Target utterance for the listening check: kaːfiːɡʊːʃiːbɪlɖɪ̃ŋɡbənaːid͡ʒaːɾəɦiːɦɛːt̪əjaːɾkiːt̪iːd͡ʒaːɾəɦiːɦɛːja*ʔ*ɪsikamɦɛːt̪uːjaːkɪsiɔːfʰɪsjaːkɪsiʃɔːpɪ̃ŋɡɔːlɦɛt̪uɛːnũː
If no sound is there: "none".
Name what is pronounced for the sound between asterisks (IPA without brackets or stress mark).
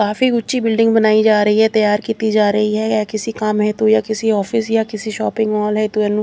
k